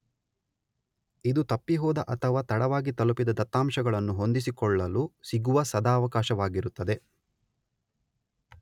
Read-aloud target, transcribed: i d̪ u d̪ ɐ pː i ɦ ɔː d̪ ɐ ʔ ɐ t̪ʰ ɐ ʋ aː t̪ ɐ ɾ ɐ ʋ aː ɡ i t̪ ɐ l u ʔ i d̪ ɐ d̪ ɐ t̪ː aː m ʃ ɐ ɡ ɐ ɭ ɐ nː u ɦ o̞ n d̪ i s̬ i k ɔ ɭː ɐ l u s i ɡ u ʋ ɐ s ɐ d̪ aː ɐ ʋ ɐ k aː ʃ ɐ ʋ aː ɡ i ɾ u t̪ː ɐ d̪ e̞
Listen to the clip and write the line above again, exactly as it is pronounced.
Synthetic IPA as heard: i d̪ u t̪ ɐ pː i ɦ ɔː d̪ ɐ ʔ ɐ t̪ʰ ɐ ʋ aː t̪ ɐ ɽ ɐ ʋ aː ɡ i t̪ ɐ l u p i d̪ ɐ d̪ ɐ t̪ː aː m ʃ ɐ ɡ ɐ ɭ ɐ nː u ɦ o̞ n d̪ i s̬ i k ɔ ɭː ɐ l u s i ɡ u ʋ ɐ s ɐ d̪ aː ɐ ʋ ɐ k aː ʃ ɐ ʋ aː ɡ i ɾ u t̪ː ɐ d̪ e̞